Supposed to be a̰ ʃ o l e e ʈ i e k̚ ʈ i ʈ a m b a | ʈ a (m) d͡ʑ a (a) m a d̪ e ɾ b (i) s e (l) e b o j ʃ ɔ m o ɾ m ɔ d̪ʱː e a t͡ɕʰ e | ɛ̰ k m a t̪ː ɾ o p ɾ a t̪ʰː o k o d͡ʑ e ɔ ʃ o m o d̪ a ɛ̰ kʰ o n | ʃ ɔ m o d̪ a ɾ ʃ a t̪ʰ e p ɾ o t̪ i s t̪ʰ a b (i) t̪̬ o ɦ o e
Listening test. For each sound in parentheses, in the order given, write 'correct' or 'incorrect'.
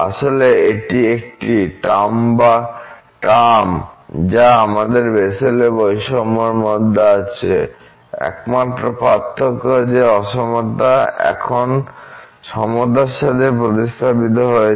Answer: correct, correct, incorrect, correct, correct

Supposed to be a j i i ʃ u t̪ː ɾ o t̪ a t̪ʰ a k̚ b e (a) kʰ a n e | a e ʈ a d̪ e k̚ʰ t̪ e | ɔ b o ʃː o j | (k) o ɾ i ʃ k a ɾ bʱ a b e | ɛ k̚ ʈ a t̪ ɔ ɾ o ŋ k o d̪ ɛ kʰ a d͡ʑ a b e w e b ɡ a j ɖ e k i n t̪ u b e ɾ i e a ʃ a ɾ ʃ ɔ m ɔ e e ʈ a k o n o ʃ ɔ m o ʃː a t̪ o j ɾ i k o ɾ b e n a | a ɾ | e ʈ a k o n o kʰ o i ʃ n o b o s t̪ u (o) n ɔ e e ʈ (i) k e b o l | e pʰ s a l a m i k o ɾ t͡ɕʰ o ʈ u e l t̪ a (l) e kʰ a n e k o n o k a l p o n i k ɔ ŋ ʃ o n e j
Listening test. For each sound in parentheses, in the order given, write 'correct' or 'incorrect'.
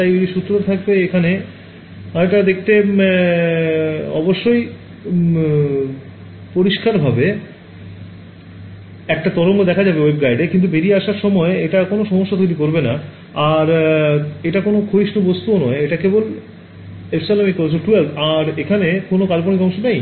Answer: incorrect, incorrect, correct, incorrect, incorrect

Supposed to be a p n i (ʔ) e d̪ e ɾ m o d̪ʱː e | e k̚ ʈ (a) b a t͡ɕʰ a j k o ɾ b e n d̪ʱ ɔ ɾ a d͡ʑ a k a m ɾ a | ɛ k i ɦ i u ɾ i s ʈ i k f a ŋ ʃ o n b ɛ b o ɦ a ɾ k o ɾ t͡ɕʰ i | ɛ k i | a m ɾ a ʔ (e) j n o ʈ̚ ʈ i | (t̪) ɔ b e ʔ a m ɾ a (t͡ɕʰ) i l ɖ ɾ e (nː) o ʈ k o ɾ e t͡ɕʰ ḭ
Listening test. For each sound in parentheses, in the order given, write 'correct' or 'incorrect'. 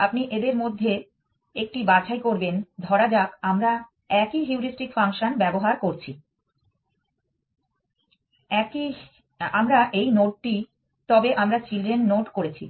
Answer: correct, incorrect, correct, correct, incorrect, correct

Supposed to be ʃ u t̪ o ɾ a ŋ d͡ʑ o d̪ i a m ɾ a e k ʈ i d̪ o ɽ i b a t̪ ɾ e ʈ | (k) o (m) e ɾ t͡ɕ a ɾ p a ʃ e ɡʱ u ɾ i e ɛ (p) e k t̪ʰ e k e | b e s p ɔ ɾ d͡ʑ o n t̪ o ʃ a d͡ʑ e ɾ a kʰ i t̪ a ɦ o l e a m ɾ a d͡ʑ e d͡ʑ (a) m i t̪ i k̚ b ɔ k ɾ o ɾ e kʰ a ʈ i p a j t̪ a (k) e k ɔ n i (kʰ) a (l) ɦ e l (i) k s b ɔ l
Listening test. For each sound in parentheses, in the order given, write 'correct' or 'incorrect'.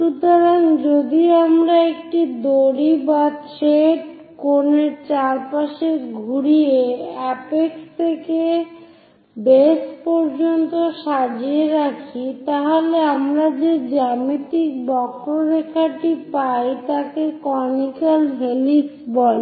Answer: correct, incorrect, correct, correct, correct, incorrect, correct, correct

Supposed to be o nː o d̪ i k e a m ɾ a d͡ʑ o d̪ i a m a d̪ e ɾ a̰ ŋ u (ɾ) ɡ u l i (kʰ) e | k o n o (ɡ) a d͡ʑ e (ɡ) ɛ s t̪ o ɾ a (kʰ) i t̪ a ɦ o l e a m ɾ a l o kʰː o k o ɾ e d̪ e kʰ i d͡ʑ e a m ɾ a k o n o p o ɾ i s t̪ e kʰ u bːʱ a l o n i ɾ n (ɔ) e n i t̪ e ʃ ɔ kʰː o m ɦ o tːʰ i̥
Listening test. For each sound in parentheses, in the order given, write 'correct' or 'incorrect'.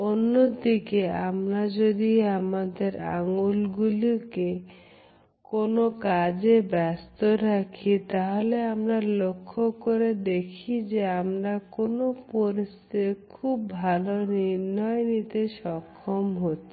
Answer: incorrect, incorrect, incorrect, incorrect, correct, correct

